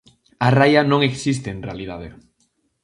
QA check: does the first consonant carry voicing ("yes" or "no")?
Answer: yes